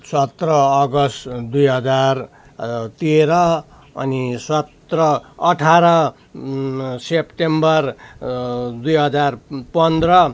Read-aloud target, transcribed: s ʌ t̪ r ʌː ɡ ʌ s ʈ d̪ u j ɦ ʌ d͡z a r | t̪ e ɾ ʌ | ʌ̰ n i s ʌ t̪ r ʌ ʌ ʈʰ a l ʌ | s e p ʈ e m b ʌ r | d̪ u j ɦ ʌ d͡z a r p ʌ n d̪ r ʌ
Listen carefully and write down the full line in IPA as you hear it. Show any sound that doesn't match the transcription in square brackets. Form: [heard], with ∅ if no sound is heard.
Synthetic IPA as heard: s ʌ t̪ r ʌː ɡ ʌ s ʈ d̪ u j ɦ ʌ d͡z a r | t̪ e ɾ ʌ | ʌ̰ n i s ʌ t̪ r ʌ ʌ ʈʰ a [ɾ] ʌ | s e p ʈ e m b ʌ r | d̪ u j ɦ ʌ d͡z a r p ʌ n d̪ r ʌ